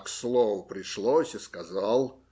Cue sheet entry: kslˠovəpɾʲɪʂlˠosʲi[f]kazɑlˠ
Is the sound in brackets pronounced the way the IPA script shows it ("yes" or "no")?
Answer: no